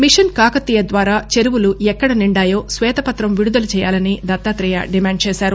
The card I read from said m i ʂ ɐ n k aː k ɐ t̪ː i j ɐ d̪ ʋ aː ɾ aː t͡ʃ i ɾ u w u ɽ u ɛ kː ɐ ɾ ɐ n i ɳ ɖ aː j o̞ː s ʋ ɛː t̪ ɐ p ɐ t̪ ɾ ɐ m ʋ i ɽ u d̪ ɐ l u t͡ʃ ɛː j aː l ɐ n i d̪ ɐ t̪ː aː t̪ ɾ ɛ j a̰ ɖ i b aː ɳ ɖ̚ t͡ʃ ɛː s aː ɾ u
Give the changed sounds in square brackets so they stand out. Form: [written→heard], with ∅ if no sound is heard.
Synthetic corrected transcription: m i ʂ ɐ n k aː k ɐ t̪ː i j ɐ d̪ ʋ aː ɾ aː t͡ʃ [i→e] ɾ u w u [ɽ→l] u ɛ kː ɐ [ɾ→ɽ] ɐ n i ɳ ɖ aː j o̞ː s ʋ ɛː t̪ ɐ p ɐ t̪ ɾ ɐ m ʋ i ɽ u d̪ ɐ l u t͡ʃ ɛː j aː l ɐ n i d̪ ɐ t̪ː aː t̪ ɾ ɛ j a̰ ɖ i [b→m] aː ɳ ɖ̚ t͡ʃ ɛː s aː ɾ u

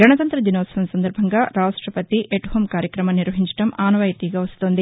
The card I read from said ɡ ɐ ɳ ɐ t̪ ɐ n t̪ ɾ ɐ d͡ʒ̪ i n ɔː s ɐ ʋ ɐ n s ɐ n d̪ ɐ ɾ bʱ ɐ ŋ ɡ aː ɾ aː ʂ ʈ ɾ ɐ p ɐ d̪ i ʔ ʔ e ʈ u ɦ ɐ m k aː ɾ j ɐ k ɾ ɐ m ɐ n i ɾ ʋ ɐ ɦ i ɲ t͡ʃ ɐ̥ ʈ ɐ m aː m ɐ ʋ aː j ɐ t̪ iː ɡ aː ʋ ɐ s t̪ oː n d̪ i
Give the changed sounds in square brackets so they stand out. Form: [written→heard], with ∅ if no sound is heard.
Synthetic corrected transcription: ɡ ɐ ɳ ɐ t̪ ɐ n t̪ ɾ ɐ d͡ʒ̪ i n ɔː s ɐ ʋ ɐ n s ɐ n d̪ ɐ ɾ bʱ ɐ ŋ ɡ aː ɾ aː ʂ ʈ ɾ ɐ p ɐ [d̪→t̪] i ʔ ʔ e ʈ u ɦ ɐ m k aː ɾ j ɐ k ɾ ɐ m ɐ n i ɾ ʋ ɐ ɦ i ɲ t͡ʃ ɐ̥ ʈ ɐ m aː [m→n] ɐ ʋ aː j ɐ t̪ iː ɡ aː ʋ ɐ s t̪ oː n d̪ i

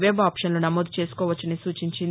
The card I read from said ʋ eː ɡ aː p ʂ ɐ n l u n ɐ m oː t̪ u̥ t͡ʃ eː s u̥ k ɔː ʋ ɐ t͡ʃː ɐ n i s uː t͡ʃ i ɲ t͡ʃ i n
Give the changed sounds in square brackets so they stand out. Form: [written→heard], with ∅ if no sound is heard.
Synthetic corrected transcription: ʋ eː [ɡ→b] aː p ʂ ɐ n l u n ɐ m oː [t̪→d̪] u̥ t͡ʃ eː s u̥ k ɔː ʋ ɐ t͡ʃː ɐ n i s uː t͡ʃ i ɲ t͡ʃ i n

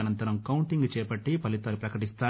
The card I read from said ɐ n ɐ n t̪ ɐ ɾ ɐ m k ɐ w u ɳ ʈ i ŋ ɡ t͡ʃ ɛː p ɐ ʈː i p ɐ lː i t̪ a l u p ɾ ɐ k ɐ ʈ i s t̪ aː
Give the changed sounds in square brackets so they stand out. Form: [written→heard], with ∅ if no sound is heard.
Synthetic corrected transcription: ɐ n ɐ n t̪ ɐ ɾ ɐ m k ɐ w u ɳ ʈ i ŋ ɡ t͡ʃ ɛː p ɐ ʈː i p ɐ [lː→l] i t̪ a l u p ɾ ɐ k ɐ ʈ i s t̪ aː

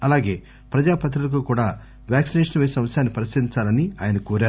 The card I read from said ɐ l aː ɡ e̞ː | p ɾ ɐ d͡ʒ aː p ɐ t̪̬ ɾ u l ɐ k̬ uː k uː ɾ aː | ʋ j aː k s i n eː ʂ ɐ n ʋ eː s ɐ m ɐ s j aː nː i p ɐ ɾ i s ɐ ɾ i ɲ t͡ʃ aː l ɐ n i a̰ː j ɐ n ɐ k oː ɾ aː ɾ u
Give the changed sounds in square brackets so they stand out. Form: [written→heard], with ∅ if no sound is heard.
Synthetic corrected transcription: ɐ l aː ɡ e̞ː | p ɾ ɐ d͡ʒ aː p ɐ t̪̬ ɾ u l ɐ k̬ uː k uː [ɾ→ɽ] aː | ʋ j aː k s i n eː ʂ ɐ n ʋ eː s ɐ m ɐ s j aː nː i p ɐ ɾ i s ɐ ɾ i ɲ t͡ʃ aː l ɐ n i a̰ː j ɐ n ɐ k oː ɾ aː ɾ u

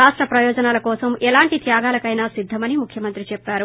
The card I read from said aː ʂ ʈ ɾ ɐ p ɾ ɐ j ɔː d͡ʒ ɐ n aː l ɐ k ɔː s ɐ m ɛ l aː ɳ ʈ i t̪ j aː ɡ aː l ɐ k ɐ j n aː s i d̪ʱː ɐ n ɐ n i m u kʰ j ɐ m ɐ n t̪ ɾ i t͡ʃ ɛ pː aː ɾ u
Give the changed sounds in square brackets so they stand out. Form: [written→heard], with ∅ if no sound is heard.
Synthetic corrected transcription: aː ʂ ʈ ɾ ɐ p ɾ ɐ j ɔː d͡ʒ ɐ n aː l ɐ k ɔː s ɐ m ɛ l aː ɳ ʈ i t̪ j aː ɡ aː l ɐ k ɐ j n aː s i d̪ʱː ɐ [n→m] ɐ n i m u kʰ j ɐ m ɐ n t̪ ɾ i t͡ʃ ɛ pː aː ɾ u

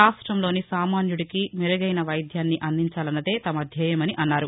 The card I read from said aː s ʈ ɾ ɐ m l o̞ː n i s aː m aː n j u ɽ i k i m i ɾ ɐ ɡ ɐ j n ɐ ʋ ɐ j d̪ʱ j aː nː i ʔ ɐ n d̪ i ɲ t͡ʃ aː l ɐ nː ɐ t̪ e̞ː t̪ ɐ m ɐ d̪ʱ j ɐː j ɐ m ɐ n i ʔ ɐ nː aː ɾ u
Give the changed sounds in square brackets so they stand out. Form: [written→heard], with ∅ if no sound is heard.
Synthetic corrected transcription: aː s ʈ ɾ ɐ m l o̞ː n i s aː m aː n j u ɽ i k i m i ɾ ɐ ɡ ɐ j n ɐ ʋ ɐ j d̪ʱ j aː nː i ʔ ɐ n d̪ i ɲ t͡ʃ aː l ɐ nː ɐ [t̪→d̪] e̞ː t̪ ɐ m ɐ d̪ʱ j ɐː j ɐ m ɐ n i ʔ ɐ nː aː ɾ u

